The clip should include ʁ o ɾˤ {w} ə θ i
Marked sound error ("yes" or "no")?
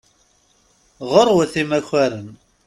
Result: no